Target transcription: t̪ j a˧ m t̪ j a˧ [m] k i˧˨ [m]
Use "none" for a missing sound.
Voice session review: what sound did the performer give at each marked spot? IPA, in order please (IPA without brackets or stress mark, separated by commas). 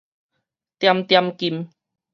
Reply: m, m